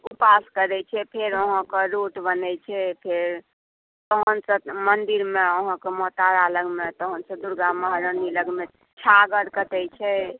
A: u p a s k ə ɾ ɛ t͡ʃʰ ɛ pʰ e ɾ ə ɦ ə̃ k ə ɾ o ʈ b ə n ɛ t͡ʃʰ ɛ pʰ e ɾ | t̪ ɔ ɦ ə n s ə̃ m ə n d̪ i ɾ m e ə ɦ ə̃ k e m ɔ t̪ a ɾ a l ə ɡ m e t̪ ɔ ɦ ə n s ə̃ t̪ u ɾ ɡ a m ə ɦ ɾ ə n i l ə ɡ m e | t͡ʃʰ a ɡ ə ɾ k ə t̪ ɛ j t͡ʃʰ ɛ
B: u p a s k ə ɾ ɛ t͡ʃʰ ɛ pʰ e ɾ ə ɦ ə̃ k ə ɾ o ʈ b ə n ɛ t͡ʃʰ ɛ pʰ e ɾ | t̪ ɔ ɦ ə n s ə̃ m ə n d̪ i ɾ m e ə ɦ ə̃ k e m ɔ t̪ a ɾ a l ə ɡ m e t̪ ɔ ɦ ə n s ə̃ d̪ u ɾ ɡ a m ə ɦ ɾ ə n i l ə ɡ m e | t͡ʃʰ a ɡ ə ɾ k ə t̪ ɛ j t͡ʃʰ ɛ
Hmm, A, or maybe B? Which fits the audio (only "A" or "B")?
B